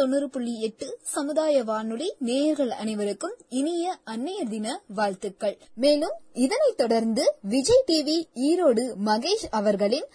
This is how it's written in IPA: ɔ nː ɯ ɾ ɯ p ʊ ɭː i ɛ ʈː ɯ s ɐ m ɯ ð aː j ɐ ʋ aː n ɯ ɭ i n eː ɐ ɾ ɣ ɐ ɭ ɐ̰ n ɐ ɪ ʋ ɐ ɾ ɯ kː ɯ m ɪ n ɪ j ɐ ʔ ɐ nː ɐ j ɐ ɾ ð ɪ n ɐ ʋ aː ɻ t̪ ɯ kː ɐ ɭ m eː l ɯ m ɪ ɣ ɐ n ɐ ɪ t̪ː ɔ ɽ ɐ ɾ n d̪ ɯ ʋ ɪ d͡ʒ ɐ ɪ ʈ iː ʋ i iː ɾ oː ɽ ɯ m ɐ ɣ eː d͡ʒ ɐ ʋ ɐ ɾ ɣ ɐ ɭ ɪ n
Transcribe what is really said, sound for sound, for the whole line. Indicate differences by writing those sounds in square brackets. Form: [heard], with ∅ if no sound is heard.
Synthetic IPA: ɔ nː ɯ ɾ ɯ p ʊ ɭː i ɛ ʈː ɯ s ɐ m ɯ ð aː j ɐ ʋ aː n ɯ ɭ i n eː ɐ ɾ ɣ ɐ ɭ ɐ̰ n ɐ ɪ ʋ ɐ ɾ ɯ kː ɯ m ɪ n ɪ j ɐ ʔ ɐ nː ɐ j ɐ ɾ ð ɪ n ɐ ʋ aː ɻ t̪ ɯ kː ɐ ɭ m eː l ɯ m ɪ [ð] ɐ n ɐ ɪ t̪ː ɔ ɽ ɐ ɾ n d̪ ɯ ʋ ɪ d͡ʒ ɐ ɪ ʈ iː ʋ i iː ɾ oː ɽ ɯ m ɐ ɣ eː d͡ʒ ɐ ʋ ɐ ɾ ɣ ɐ ɭ ɪ n